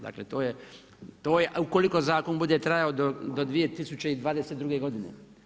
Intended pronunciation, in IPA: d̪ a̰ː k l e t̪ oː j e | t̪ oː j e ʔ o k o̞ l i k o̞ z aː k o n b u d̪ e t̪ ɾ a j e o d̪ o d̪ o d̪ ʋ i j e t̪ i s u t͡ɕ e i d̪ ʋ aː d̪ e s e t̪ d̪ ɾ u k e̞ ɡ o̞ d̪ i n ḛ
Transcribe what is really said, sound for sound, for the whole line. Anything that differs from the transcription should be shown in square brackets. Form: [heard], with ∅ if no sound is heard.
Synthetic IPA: d̪ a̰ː k l e t̪ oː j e | t̪ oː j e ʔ [u] k o̞ l i k o̞ z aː k o n b u d̪ e t̪ ɾ a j [a] o d̪ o d̪ o d̪ ʋ i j e t̪ i s u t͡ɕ e i d̪ ʋ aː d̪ e s e t̪ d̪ ɾ u [ɡ] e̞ ɡ o̞ d̪ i n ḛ